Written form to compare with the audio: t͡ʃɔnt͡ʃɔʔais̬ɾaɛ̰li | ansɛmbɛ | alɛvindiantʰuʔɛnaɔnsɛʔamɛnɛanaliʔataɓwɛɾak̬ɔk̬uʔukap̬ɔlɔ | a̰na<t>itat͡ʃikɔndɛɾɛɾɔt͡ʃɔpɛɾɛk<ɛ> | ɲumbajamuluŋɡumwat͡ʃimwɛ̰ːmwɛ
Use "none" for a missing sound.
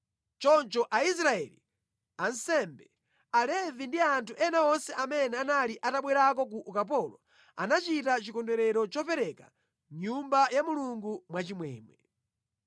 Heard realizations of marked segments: t͡ʃ, a

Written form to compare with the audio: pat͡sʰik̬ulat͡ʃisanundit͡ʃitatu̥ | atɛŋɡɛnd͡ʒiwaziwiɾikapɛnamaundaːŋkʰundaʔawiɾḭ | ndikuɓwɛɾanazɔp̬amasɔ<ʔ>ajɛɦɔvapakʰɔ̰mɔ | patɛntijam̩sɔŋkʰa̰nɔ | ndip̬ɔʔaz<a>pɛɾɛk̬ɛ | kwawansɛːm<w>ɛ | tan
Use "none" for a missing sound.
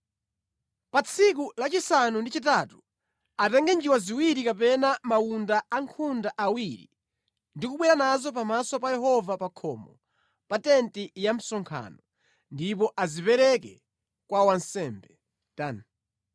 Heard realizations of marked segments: p, i, b

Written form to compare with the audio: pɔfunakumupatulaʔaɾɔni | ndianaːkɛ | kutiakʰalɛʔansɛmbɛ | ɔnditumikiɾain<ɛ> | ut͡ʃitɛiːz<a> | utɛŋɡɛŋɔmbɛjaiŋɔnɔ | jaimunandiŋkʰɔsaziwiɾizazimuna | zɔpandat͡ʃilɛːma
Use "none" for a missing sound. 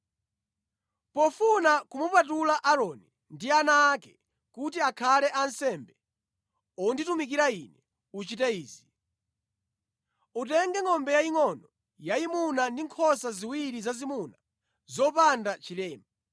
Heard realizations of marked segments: ɛ, i

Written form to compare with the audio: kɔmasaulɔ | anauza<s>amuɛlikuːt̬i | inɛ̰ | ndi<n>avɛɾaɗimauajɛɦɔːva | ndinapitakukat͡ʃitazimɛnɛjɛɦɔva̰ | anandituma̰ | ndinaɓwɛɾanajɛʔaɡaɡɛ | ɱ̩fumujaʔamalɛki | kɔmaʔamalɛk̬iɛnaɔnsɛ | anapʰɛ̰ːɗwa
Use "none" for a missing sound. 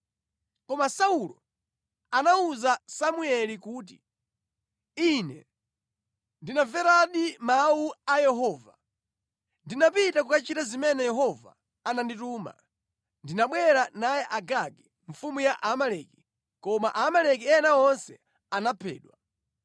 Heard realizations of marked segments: s, n

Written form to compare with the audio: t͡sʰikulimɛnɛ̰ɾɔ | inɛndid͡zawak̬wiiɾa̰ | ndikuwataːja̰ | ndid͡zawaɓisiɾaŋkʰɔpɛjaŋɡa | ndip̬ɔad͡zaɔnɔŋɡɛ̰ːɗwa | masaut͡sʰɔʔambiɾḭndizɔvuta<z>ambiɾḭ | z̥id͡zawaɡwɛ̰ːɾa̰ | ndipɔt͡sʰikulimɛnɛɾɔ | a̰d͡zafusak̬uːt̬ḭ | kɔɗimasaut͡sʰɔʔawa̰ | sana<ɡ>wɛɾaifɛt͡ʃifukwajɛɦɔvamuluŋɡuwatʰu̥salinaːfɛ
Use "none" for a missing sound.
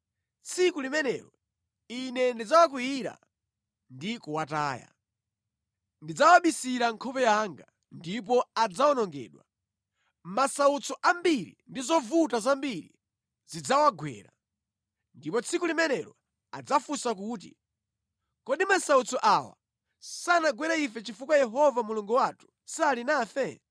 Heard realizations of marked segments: z, ɡ

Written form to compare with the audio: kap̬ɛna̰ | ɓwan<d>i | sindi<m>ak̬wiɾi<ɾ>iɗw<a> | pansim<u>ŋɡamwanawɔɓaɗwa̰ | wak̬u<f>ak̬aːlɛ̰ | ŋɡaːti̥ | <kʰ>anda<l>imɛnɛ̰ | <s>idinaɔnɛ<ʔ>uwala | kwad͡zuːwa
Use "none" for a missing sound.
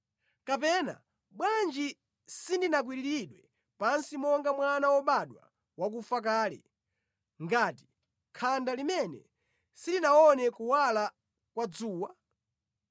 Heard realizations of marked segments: d͡ʒ, n, ɾ, ɛ, ɔ, f, kʰ, l, s, k

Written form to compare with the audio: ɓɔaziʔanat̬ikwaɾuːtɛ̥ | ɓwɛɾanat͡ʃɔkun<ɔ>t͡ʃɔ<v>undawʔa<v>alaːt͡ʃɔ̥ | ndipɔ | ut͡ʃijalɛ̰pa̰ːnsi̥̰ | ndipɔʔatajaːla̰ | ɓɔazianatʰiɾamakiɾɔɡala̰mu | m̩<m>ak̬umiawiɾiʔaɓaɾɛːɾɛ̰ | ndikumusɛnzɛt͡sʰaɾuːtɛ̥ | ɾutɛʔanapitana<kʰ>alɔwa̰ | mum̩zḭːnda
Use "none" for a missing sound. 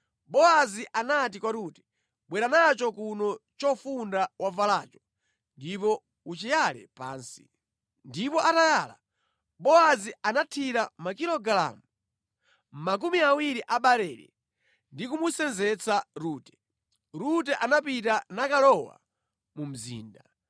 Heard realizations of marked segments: ɔ, f, v, m, k

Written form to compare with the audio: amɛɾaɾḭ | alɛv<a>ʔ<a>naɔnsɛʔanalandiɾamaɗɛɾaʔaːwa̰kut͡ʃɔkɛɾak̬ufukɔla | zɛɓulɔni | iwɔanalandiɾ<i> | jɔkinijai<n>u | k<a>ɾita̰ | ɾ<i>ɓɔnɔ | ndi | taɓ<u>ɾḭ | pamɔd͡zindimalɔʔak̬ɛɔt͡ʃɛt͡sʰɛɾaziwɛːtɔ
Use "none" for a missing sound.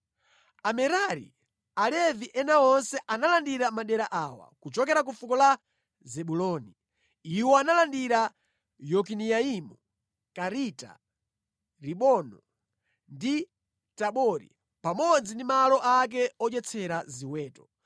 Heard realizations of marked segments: i, ɛ, a, m, a, i, ɔ

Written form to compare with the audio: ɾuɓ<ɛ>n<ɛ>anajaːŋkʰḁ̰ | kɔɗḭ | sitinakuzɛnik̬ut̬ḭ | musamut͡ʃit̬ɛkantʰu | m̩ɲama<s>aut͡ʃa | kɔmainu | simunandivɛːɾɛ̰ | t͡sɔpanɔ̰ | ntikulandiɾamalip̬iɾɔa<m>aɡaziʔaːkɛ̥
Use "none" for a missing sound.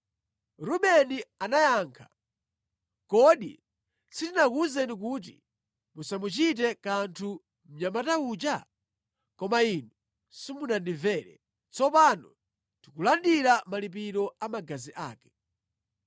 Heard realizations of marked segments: ɛ, i, t, m

